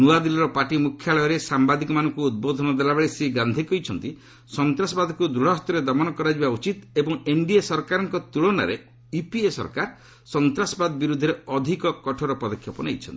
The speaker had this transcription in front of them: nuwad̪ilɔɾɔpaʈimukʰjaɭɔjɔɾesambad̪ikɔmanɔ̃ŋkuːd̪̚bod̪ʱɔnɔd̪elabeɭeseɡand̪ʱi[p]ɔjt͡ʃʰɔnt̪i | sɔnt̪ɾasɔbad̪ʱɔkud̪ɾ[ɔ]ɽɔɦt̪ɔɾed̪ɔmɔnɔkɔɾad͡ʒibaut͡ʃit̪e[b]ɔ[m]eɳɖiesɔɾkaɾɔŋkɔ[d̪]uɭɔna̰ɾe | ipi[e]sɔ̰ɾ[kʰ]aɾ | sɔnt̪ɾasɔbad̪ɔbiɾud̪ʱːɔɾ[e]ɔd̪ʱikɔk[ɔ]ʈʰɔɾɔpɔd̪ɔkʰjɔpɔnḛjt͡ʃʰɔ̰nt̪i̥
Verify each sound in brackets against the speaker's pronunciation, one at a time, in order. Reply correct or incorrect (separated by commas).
incorrect, incorrect, correct, incorrect, incorrect, correct, incorrect, correct, correct